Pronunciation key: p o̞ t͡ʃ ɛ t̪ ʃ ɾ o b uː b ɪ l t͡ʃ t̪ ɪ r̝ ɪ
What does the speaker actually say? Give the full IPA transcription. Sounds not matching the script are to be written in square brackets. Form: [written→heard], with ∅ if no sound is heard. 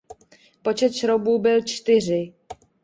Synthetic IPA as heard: p o̞ t͡ʃ ɛ t̪ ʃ ɾ o b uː b ɪ l t͡ʃ t̪ ɪ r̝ ɪ

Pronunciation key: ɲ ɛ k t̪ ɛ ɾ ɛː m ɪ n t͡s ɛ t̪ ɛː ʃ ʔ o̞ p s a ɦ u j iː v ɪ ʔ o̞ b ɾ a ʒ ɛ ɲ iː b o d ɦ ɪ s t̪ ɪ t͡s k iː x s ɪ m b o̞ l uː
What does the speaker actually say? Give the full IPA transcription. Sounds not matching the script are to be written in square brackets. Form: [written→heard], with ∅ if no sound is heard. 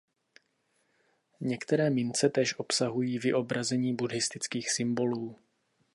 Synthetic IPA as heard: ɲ ɛ k t̪ ɛ ɾ ɛː m ɪ n t͡s ɛ t̪ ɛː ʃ ʔ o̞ p s a ɦ u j iː v ɪ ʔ o̞ b ɾ a [ʒ→z] ɛ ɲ iː b [o→u] d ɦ ɪ s t̪ ɪ t͡s k iː x s ɪ m b o̞ l uː

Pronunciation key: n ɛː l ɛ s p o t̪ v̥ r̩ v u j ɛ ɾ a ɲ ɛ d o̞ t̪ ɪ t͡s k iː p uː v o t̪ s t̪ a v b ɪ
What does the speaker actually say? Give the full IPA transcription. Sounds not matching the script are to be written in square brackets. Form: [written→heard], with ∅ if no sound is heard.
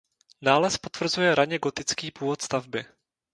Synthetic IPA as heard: n [ɛː→aː] l ɛ s p o t̪ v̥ r̩ [v→z] u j ɛ ɾ a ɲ ɛ [d→ɡ] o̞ t̪ ɪ t͡s k iː p uː v o t̪ s t̪ a v b ɪ

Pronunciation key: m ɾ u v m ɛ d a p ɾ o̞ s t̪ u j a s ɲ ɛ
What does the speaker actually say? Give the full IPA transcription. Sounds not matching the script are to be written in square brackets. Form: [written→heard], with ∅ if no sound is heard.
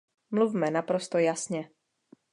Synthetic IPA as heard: m [ɾ→l] u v m ɛ [d→n] a p ɾ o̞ s t̪ [u→o] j a s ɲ ɛ

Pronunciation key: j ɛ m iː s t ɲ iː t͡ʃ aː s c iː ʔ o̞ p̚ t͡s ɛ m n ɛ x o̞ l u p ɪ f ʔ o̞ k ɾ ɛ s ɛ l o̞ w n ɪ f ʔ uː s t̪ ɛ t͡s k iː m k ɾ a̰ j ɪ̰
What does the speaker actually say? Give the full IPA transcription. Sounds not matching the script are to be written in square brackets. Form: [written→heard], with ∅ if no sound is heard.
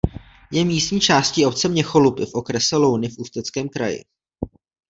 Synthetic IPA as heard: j ɛ m iː s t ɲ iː t͡ʃ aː s c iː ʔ o̞ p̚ t͡s ɛ m [n→ɲ] ɛ x o̞ l u p ɪ f ʔ o̞ k ɾ ɛ s ɛ l o̞ w n ɪ f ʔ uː s t̪ ɛ t͡s k [iː→ɛː] m k ɾ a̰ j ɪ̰

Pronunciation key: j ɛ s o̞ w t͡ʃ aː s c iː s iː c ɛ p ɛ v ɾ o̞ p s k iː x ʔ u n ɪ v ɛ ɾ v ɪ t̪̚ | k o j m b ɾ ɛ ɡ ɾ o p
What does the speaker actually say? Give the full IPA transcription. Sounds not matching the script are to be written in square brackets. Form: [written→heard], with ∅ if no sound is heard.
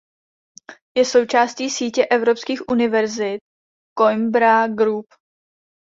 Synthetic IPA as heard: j ɛ s o̞ w t͡ʃ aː s c iː s iː c ɛ [p→ʔ] ɛ v ɾ o̞ p s k iː x ʔ u n ɪ v ɛ ɾ [v→z] ɪ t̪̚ | k o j m b ɾ [ɛ→a] ɡ ɾ [o→u] p

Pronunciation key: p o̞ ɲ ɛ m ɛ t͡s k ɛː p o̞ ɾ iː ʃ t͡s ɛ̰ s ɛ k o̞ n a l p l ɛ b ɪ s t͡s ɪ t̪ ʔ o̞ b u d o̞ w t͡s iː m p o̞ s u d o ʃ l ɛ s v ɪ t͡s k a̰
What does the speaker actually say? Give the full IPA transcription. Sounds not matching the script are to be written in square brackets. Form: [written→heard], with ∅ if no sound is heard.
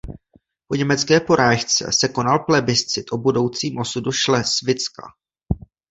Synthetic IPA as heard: p o̞ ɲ ɛ m ɛ t͡s k ɛː p o̞ ɾ [iː→aː] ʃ t͡s ɛ̰ s ɛ k o̞ n a l p l ɛ b ɪ s t͡s ɪ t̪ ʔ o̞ b u d o̞ w t͡s iː m [p→ʔ] o̞ s u d [o→u] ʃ l ɛ s v ɪ t͡s k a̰

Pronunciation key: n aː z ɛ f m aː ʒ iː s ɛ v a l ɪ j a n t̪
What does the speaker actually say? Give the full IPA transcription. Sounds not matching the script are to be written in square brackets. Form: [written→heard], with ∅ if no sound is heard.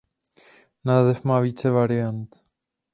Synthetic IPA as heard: n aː z ɛ f m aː [ʒ→v] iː [s→t͡s] ɛ v a [l→ɾ] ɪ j a n t̪

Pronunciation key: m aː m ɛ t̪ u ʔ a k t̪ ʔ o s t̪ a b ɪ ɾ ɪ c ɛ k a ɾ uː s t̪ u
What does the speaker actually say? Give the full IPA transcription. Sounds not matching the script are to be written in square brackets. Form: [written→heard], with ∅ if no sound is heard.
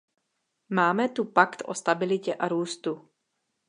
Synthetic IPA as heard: m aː m ɛ t̪ u [ʔ→p] a k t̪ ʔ o s t̪ a b ɪ [ɾ→l] ɪ c ɛ [k→ʔ] a ɾ uː s t̪ u

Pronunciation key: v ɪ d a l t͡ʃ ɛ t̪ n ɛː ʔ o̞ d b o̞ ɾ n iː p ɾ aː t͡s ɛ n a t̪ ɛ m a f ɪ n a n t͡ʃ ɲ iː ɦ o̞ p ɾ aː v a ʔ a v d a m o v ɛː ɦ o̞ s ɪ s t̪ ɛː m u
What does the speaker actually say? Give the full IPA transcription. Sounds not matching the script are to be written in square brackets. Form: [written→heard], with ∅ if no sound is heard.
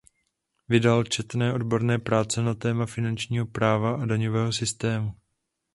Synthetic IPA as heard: v ɪ d a l t͡ʃ ɛ t̪ n ɛː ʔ o̞ d b o̞ ɾ n [iː→ɛː] p ɾ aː t͡s ɛ n a t̪ [ɛ→ɛː] m a f ɪ n a n t͡ʃ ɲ iː ɦ o̞ p ɾ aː v a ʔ a [v→∅] d a [m→ɲ] o v ɛː ɦ o̞ s ɪ s t̪ ɛː m u

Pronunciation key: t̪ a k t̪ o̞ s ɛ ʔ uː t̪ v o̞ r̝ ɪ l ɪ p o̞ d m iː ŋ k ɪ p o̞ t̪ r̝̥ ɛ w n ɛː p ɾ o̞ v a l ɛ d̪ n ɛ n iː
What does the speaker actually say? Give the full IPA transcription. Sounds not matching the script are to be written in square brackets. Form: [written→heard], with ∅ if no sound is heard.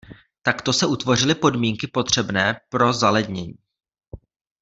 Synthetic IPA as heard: t̪ a k t̪ o̞ s ɛ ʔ [uː→u] t̪ v o̞ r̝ ɪ l ɪ p o̞ d m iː ŋ k ɪ p o̞ t̪ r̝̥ ɛ [w→b] n ɛː p ɾ o̞ [v→z] a l ɛ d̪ [n→ɲ] ɛ [n→ɲ] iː

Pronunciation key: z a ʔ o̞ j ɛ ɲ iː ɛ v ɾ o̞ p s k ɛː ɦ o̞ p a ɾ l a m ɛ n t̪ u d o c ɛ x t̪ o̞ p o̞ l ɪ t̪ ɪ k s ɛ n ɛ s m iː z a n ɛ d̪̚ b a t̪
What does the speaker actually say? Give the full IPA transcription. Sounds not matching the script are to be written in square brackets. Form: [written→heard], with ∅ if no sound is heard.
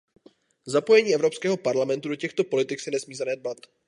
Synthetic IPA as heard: z a [ʔ→p] o̞ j ɛ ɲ iː ɛ v ɾ o̞ p s k ɛː ɦ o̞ p a ɾ l a m ɛ n t̪ u d o c ɛ x t̪ o̞ p o̞ l ɪ t̪ ɪ k s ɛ n ɛ s m iː z a n ɛ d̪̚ b a t̪

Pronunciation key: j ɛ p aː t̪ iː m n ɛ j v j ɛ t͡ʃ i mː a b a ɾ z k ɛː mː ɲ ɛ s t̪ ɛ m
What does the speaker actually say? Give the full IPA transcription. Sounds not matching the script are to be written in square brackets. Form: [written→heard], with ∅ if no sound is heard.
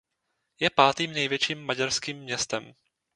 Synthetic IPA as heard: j ɛ p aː t̪ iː m n ɛ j v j ɛ t͡ʃ [i→iː] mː a [b→ɟ] a ɾ [z→s] k [ɛː→iː] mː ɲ ɛ s t̪ ɛ m

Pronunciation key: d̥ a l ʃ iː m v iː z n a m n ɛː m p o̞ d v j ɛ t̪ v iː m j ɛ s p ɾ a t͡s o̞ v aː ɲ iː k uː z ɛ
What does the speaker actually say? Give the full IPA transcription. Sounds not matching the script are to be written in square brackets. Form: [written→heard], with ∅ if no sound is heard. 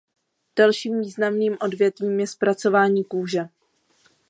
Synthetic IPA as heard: d̥ a l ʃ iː m v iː z n a m n [ɛː→iː] m [p→ʔ] o̞ d v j ɛ t̪ v iː m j ɛ s p ɾ a t͡s o̞ v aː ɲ iː k uː [z→ʒ] ɛ

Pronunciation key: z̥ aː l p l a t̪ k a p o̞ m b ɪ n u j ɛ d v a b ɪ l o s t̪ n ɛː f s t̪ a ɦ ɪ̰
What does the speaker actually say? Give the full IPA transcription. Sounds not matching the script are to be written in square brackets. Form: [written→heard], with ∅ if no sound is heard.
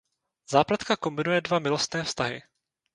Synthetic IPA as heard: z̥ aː [l→∅] p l a t̪ k a [p→k] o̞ m b ɪ n u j ɛ d v a [b→m] ɪ l o s t̪ n ɛː f s t̪ a ɦ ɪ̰

